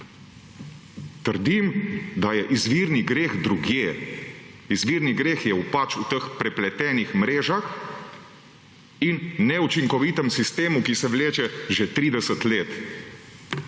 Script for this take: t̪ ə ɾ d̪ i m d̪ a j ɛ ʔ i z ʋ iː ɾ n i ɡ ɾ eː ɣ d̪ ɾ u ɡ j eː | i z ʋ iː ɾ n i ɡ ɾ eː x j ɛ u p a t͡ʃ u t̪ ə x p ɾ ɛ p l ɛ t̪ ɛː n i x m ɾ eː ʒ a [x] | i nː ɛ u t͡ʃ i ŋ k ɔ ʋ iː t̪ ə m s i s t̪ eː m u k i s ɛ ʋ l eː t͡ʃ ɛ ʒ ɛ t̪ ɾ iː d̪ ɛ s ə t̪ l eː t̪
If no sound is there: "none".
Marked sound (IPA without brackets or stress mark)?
x